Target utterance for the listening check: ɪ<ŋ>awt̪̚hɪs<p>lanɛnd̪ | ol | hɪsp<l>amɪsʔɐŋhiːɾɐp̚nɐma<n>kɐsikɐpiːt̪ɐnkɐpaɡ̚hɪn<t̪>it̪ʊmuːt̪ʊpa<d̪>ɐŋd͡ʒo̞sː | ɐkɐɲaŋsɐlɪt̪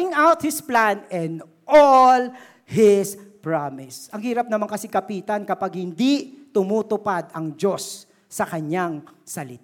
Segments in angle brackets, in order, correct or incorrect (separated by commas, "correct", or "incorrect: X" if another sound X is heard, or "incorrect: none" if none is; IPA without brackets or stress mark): correct, correct, incorrect: ɹ, incorrect: ŋ, incorrect: d̪, correct